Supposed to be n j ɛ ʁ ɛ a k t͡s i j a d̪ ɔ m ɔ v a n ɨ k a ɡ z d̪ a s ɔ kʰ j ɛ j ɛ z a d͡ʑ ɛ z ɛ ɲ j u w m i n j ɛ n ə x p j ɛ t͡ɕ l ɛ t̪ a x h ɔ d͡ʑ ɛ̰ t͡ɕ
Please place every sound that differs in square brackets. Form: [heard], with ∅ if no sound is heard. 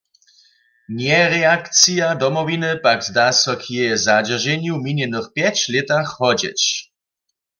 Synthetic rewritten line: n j ɛ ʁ ɛ a k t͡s i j a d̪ ɔ m ɔ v [i] n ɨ [p] a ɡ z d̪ a s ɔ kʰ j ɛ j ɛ z a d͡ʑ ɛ [ʒ] ɛ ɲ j u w m i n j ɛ n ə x p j ɛ t͡ɕ l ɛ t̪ a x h ɔ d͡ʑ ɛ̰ t͡ɕ